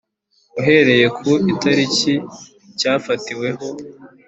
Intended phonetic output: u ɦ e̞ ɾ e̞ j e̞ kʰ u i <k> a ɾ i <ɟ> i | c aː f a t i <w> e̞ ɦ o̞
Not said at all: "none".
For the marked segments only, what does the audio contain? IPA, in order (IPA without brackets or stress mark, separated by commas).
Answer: t, c, w